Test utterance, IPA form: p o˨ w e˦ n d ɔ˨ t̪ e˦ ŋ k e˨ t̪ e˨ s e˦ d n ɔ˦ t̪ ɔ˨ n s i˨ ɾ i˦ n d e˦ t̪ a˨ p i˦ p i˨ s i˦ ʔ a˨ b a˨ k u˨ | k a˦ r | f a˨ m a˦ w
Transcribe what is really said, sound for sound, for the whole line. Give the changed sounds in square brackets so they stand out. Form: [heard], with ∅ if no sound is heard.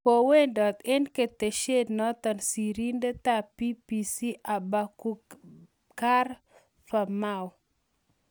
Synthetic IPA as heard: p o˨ w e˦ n d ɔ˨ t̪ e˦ [n] k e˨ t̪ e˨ [ʃ] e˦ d n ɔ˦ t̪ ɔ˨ n s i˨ ɾ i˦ n d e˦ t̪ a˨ p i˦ p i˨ s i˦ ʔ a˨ b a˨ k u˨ | k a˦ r | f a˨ m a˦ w